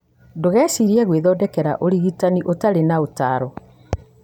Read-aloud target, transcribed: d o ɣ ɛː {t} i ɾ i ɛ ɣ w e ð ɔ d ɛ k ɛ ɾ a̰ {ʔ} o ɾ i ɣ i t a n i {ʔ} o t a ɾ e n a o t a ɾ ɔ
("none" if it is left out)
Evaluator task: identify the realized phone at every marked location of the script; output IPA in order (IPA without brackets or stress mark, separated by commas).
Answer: s, ʔ, ʔ